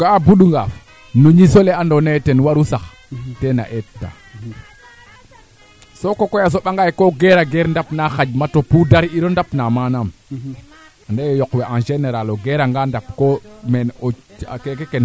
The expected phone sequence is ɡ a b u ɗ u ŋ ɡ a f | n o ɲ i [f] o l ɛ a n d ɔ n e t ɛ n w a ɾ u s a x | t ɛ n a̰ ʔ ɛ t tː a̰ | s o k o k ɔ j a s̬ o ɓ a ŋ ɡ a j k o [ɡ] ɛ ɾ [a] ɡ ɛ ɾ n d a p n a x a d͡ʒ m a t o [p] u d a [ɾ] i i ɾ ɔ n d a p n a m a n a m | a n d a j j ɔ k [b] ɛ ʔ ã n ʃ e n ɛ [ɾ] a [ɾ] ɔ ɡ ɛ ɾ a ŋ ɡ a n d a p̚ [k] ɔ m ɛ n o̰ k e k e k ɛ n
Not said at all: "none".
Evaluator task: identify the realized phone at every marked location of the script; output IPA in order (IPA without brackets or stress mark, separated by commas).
s, ɡ, a, p, ɾ, w, ɾ, l, k